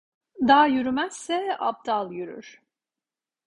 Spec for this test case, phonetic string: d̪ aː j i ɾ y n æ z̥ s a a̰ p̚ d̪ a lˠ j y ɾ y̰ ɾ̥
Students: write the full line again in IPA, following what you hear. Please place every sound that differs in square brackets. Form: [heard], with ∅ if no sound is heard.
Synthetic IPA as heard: d̪ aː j [y] ɾ y [m] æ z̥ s [ɛ] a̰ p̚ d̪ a lˠ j y ɾ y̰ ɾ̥